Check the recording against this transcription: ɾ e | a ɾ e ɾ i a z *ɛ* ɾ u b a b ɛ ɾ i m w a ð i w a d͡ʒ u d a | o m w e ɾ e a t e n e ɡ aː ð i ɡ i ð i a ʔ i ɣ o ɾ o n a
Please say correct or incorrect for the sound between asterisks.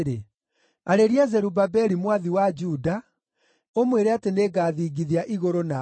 correct